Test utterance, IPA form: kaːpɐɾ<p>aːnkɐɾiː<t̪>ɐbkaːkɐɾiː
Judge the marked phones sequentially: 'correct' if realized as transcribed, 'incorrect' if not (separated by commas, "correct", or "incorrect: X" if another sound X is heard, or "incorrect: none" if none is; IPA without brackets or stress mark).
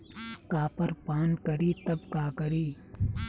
correct, correct